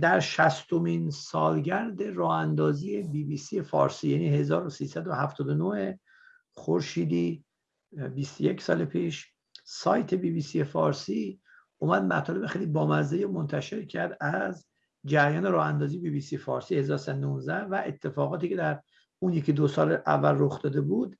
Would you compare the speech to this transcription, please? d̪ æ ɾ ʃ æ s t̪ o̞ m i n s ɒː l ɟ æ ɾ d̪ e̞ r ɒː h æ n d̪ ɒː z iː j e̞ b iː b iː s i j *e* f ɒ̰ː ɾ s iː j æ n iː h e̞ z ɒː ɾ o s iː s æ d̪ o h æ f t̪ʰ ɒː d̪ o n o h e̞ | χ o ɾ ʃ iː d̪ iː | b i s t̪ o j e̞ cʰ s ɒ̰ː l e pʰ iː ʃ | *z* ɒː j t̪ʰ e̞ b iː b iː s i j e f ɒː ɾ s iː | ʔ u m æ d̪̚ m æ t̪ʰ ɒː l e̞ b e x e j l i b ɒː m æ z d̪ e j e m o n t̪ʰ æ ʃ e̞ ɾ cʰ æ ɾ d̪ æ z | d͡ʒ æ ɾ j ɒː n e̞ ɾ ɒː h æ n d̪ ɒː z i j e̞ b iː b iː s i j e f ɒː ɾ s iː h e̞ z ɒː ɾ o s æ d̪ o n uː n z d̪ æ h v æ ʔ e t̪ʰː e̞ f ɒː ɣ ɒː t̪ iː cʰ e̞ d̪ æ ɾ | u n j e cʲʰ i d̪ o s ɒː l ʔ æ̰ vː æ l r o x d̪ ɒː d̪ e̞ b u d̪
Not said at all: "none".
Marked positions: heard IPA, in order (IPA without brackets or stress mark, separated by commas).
e, s